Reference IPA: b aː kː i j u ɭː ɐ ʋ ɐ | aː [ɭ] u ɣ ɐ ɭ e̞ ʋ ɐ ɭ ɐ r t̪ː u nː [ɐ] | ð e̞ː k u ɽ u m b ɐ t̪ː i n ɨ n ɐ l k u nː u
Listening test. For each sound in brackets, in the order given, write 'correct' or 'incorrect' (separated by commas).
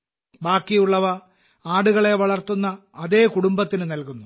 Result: incorrect, incorrect